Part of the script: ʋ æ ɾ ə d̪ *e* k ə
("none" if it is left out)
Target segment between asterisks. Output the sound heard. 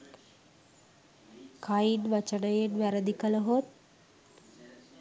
i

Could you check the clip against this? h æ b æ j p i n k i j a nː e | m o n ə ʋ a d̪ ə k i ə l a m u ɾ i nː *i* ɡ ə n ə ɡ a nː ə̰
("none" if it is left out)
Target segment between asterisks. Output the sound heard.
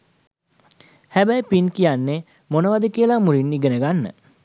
i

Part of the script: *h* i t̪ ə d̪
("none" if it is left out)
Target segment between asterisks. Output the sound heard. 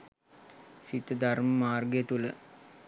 s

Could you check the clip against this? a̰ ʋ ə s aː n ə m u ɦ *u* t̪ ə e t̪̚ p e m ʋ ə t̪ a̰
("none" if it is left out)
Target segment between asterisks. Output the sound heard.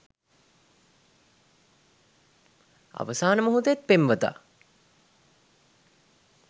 u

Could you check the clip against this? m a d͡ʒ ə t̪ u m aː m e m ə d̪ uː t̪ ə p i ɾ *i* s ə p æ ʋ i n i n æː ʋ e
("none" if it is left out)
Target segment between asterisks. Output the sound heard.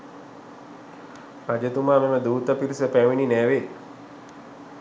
i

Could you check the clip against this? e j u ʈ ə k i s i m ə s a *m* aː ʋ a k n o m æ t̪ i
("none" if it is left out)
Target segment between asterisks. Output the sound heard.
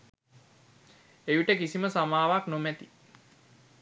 m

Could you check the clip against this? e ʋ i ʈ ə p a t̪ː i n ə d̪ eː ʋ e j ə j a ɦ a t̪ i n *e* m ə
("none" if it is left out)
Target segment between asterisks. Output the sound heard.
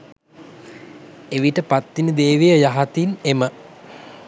e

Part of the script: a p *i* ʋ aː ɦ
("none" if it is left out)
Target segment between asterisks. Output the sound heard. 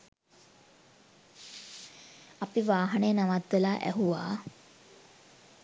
i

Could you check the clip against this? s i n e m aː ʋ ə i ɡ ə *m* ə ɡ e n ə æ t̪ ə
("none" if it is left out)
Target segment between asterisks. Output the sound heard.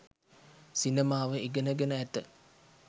n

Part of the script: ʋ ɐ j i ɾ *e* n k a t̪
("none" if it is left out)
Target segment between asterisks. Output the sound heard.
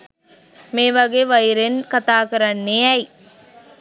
e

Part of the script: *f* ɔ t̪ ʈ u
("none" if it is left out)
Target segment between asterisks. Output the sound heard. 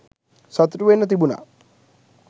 s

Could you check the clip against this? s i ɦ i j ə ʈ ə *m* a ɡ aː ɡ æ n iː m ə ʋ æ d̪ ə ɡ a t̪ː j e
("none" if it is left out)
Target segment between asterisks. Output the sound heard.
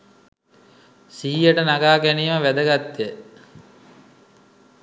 n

